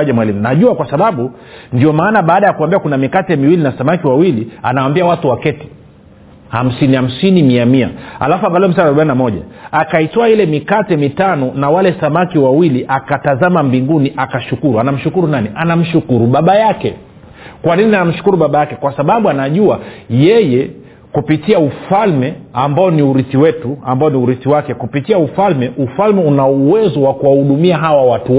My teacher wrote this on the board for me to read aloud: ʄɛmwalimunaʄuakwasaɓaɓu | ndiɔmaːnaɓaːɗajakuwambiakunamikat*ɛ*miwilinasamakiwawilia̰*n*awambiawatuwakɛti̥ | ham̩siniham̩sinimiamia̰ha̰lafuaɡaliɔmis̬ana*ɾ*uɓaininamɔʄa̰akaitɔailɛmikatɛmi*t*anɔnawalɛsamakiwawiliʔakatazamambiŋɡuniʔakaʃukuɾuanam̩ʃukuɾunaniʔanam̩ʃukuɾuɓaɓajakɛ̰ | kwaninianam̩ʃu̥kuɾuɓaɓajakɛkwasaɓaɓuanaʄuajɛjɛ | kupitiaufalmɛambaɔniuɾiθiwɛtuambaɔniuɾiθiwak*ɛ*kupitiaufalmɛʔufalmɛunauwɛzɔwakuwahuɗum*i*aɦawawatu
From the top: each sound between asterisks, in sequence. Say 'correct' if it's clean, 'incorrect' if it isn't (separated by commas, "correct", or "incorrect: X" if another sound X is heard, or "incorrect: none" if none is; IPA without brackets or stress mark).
correct, correct, correct, correct, correct, correct